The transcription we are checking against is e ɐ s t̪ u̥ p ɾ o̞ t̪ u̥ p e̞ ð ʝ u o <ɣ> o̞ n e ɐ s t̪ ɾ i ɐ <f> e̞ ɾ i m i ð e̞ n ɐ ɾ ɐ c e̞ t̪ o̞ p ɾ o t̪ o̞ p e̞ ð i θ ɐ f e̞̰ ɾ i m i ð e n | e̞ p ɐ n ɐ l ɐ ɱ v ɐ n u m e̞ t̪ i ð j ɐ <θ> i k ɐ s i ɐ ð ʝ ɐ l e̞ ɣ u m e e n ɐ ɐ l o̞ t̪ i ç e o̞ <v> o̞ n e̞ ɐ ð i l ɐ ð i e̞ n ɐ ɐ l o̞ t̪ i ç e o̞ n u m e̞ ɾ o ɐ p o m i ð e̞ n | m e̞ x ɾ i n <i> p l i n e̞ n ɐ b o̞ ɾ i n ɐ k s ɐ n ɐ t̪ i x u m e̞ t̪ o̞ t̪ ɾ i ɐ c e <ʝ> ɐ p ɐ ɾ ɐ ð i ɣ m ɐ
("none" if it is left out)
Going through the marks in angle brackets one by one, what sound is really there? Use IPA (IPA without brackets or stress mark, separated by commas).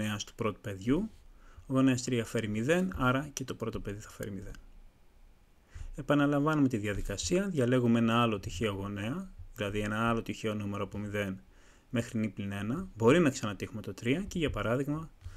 ɣ, f, ð, ɣ, i, ʝ